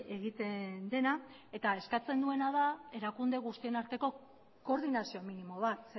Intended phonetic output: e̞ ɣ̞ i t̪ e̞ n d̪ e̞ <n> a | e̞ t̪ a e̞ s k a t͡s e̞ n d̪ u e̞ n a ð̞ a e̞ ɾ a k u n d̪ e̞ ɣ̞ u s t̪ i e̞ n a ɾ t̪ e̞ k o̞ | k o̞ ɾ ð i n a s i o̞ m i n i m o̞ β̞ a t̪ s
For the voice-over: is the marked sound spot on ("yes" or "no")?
yes